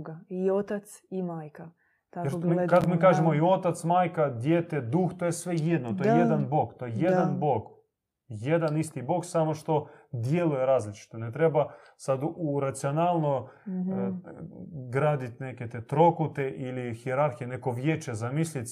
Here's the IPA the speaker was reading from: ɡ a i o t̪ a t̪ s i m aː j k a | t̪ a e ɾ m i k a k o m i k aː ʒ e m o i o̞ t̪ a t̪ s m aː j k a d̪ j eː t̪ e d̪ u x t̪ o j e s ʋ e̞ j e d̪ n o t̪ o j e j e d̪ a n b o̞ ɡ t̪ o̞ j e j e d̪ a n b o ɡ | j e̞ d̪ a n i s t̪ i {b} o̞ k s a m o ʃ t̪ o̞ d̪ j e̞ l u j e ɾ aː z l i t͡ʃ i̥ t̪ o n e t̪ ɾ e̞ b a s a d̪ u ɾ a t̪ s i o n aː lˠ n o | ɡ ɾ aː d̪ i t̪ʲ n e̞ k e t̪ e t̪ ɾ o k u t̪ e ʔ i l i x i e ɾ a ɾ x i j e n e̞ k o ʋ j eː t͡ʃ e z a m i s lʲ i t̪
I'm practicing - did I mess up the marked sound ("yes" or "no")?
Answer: no